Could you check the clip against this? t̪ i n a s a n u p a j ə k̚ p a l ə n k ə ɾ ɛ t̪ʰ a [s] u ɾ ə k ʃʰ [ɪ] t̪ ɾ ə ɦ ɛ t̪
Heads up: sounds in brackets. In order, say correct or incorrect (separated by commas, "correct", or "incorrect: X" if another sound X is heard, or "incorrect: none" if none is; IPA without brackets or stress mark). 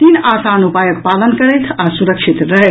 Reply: correct, incorrect: i